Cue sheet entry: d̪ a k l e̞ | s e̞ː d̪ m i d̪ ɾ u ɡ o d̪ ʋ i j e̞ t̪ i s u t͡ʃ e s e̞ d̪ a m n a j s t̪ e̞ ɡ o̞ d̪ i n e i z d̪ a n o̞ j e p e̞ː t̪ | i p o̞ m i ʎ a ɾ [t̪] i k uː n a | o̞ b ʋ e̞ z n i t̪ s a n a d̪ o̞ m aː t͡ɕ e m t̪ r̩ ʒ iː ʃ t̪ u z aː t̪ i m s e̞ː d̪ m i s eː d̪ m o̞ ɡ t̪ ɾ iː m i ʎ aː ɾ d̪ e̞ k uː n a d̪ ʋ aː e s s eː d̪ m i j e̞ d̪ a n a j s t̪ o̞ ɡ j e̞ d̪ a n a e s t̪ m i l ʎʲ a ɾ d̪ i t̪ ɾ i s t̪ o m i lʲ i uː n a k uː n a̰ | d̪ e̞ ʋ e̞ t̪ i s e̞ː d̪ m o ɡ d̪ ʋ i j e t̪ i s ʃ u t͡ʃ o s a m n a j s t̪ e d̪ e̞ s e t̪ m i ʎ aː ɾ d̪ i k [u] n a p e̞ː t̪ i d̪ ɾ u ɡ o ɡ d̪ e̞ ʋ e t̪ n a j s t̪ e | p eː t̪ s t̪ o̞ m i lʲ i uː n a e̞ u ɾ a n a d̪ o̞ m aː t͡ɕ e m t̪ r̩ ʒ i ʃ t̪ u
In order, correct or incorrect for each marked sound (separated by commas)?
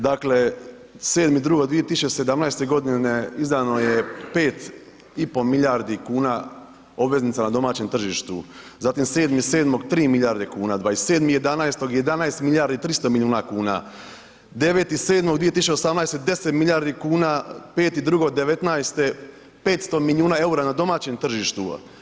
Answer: incorrect, incorrect